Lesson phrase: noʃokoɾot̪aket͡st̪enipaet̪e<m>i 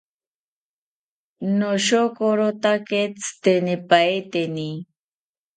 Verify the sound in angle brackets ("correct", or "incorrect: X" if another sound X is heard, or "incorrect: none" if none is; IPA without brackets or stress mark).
incorrect: n